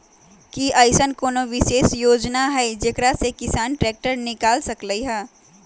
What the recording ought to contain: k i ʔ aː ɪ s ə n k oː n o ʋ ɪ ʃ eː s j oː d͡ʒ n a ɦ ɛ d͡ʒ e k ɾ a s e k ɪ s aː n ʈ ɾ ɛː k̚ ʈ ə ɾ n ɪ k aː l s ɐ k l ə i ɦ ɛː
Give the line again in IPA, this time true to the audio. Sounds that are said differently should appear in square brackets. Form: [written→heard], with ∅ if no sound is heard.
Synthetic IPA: k i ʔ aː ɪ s ə n k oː n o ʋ ɪ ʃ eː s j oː d͡ʒ n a ɦ ɛ d͡ʒ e k ɾ a s e k ɪ s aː n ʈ ɾ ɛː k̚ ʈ ə ɾ n ɪ k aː l s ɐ k l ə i ɦ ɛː